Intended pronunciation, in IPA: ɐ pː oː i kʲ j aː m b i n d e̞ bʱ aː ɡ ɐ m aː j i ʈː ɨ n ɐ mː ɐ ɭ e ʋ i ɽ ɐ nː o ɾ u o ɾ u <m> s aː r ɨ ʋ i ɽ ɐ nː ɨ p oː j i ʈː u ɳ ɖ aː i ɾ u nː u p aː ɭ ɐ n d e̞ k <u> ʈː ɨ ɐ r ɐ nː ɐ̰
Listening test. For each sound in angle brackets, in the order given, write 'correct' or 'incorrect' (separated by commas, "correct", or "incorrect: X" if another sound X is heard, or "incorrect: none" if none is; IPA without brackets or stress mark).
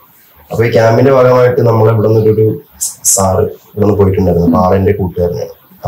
incorrect: none, incorrect: uː